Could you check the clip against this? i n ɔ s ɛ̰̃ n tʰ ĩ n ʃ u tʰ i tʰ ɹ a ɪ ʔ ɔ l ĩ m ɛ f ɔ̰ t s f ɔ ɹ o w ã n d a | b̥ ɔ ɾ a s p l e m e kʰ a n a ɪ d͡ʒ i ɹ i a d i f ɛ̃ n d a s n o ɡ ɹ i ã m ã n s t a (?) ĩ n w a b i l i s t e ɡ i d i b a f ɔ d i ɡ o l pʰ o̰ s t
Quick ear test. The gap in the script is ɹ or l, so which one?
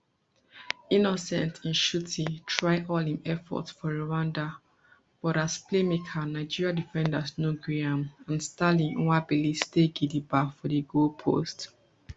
l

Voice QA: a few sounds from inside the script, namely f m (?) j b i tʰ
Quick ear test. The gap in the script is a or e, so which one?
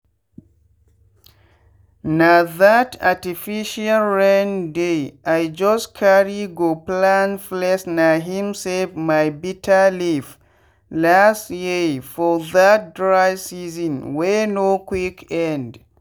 a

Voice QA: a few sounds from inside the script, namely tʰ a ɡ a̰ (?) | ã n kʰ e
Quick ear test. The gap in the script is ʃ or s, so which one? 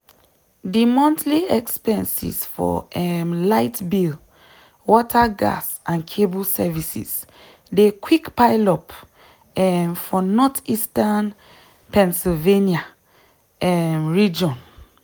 s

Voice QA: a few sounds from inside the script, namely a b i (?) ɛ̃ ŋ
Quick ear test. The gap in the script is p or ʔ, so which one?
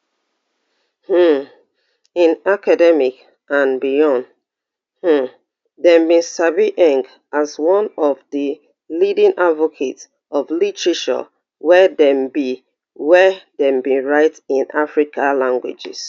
ʔ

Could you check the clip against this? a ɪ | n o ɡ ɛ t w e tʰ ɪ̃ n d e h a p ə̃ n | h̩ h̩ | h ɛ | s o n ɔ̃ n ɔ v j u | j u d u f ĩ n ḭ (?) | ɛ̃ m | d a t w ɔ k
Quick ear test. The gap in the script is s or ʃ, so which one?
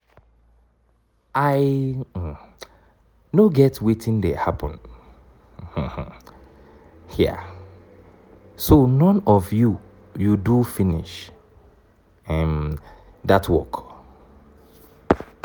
ʃ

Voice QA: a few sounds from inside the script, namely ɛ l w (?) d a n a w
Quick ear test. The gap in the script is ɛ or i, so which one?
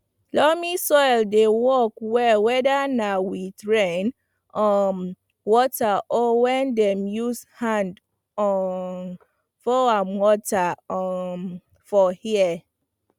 ɛ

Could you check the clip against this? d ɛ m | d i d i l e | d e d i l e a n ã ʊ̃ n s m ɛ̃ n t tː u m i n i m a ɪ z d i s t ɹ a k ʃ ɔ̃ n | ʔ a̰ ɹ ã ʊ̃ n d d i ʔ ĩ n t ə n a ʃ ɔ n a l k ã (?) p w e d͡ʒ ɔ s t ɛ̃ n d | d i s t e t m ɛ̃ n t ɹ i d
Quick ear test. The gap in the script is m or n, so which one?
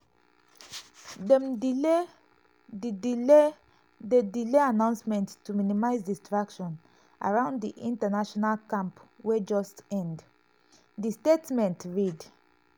m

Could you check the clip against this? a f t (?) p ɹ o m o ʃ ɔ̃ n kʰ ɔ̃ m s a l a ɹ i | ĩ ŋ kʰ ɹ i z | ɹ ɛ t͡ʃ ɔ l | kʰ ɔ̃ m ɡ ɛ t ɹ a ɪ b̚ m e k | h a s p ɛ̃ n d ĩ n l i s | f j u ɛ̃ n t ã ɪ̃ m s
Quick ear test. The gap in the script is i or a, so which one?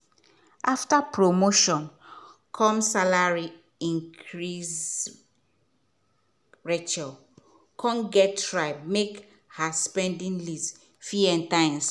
a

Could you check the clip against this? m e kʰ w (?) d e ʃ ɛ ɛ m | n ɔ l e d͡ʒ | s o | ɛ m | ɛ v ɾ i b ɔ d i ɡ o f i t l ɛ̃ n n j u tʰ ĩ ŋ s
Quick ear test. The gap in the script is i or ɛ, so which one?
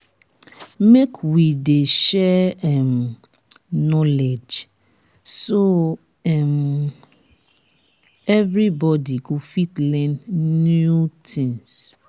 i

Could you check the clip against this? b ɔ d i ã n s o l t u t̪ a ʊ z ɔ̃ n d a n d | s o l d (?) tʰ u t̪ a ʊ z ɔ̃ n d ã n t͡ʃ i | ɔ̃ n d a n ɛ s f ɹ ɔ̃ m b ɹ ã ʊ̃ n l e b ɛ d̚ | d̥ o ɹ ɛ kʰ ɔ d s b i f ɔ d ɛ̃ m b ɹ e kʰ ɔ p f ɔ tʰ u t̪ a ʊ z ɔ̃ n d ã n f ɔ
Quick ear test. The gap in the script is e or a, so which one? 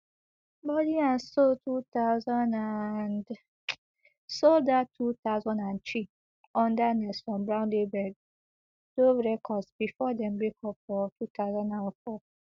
a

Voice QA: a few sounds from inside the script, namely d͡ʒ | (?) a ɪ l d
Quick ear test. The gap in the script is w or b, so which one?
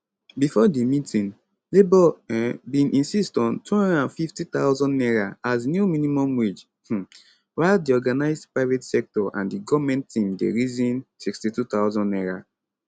w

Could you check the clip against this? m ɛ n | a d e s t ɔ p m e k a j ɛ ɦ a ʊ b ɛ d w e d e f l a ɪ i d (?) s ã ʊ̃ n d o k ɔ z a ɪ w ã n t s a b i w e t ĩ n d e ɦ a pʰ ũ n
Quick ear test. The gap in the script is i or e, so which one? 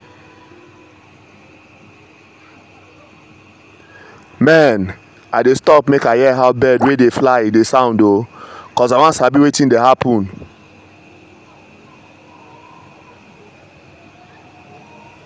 e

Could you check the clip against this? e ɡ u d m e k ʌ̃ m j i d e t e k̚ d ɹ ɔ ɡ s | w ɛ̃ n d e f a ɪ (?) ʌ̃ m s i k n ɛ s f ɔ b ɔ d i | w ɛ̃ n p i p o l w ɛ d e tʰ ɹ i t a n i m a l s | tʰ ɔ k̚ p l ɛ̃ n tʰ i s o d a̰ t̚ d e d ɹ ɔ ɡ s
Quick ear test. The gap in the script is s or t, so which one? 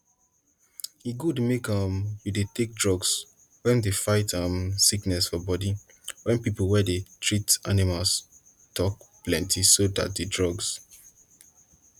t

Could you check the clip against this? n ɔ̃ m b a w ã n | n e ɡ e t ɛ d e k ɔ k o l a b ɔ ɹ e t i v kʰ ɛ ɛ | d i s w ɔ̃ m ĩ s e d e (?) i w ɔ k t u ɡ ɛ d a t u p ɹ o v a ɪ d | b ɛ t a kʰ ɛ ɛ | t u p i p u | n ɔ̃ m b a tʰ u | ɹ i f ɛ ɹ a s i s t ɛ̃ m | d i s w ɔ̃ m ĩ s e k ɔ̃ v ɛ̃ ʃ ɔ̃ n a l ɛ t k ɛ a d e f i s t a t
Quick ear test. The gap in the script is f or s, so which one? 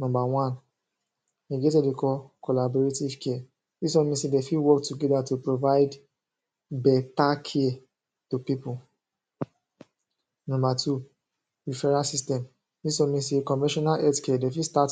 f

